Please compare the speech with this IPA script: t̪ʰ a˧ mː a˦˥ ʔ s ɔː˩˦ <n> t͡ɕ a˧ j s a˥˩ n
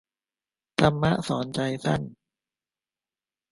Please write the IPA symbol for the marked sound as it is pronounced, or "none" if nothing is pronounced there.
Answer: n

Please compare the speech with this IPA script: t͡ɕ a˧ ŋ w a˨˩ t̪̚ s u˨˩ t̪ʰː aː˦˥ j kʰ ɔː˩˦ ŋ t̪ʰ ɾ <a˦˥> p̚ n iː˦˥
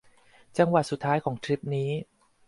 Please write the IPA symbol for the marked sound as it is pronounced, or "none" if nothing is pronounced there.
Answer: i˦˥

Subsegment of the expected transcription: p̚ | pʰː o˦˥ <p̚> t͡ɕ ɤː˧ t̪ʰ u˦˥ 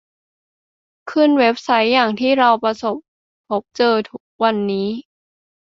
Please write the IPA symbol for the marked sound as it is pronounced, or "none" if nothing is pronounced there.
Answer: p̚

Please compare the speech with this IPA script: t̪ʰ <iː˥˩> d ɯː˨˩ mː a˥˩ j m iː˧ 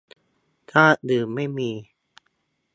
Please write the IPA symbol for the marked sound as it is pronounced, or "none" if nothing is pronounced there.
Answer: aː˥˩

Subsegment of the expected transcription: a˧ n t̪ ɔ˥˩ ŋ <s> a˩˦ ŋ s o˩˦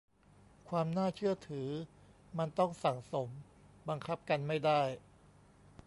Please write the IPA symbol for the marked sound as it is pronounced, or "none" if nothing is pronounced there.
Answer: s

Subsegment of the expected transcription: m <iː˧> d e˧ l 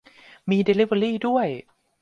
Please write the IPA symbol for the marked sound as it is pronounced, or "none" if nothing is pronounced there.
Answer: iː˧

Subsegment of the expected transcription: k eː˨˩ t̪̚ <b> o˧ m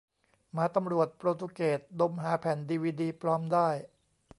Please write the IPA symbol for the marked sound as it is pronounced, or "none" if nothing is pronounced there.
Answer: d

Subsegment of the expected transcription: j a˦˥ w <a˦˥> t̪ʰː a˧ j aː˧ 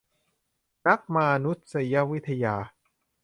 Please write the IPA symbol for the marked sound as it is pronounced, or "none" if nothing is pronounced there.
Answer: i˦˥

